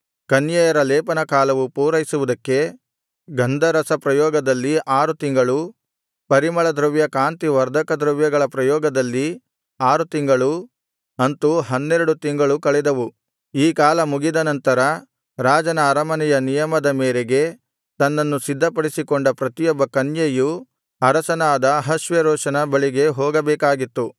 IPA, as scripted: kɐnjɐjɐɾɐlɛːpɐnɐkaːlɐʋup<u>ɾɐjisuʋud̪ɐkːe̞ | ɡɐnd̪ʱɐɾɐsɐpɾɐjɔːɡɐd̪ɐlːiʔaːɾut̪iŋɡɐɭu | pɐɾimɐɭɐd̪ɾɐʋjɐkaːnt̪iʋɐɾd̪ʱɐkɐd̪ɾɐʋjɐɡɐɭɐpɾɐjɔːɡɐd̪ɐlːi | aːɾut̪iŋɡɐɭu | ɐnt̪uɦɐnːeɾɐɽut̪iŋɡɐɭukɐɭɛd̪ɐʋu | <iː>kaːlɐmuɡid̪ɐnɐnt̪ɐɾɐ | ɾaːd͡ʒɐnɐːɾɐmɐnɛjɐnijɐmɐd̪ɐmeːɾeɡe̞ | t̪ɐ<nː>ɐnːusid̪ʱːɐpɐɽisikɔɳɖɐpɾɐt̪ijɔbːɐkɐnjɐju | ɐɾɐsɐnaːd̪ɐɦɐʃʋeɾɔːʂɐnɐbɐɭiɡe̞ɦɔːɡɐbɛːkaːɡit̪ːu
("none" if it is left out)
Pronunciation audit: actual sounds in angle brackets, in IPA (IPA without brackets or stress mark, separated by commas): uː, iː, nː